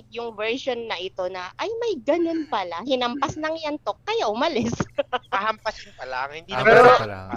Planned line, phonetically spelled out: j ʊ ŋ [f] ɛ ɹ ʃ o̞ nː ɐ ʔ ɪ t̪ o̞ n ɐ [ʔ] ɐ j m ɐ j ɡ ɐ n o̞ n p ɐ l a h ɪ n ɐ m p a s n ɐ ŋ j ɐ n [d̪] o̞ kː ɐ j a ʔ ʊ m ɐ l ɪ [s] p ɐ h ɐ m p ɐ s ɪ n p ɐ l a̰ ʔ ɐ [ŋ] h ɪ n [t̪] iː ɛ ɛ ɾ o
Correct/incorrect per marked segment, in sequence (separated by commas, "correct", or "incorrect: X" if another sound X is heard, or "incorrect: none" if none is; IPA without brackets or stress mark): incorrect: v, correct, incorrect: t̪, correct, correct, incorrect: d̪